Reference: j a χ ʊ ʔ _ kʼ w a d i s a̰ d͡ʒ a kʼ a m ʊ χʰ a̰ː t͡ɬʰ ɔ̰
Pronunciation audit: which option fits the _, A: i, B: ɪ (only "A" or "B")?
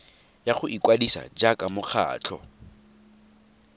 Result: A